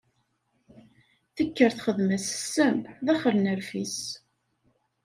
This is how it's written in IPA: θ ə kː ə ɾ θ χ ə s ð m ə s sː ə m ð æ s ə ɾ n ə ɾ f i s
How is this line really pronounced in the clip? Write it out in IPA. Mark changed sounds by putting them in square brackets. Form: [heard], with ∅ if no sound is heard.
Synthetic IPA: θ ə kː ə ɾ θ χ ə [∅] ð m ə s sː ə m ð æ [χ] ə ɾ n ə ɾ f i s